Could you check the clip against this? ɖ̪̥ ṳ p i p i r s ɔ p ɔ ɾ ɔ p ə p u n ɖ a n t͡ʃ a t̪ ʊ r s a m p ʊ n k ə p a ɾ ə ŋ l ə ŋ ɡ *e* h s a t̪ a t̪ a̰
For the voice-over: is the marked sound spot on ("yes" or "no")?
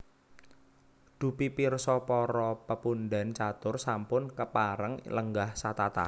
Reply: no